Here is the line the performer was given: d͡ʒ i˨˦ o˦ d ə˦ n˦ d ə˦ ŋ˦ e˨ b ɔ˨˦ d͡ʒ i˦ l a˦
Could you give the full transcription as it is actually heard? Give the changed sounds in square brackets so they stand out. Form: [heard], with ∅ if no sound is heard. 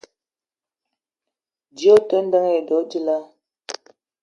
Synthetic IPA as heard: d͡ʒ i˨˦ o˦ [t] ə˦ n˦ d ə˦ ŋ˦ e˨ [d] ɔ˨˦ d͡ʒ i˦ l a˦